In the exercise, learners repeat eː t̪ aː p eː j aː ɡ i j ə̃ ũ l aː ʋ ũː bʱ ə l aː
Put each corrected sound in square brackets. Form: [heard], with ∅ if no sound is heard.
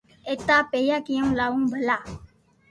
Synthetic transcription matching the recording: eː t̪ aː p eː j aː [k] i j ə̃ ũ l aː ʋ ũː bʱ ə l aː